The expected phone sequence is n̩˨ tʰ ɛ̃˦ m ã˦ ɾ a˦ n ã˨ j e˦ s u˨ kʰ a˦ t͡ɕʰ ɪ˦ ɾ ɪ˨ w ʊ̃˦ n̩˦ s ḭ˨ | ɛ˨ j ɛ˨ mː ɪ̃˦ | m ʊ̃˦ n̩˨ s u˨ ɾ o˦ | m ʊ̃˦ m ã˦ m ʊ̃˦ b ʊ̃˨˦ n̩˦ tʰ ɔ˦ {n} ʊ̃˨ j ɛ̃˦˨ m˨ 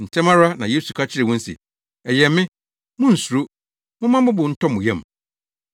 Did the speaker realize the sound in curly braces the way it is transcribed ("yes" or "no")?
no